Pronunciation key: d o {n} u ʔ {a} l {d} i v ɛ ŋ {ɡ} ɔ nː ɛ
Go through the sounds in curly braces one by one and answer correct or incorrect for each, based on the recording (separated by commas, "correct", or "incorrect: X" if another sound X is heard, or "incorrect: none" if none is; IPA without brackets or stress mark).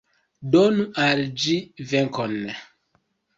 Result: correct, correct, incorrect: d͡ʒ, incorrect: k